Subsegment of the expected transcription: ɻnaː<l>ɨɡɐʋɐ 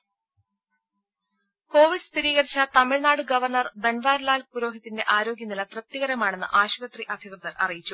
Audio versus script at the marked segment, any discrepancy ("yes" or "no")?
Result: yes